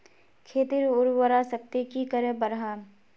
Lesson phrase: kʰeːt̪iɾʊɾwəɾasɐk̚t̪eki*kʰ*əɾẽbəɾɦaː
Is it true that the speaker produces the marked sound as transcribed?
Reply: no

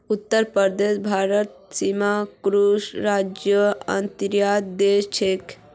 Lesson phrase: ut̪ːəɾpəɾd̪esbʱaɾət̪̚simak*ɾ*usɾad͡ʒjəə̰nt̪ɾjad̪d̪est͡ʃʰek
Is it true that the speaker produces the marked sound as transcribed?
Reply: yes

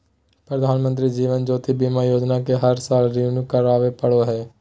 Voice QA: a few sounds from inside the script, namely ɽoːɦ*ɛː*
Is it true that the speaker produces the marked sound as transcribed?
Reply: yes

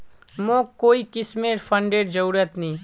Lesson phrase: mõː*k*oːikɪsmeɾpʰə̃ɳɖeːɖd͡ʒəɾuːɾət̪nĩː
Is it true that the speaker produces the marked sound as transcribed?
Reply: yes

